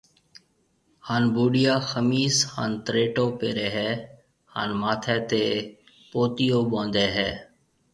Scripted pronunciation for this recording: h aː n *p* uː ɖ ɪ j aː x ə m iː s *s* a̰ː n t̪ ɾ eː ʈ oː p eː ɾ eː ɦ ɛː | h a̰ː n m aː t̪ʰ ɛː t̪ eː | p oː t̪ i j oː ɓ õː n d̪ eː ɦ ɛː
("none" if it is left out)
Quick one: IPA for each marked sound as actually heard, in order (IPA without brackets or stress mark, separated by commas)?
b, h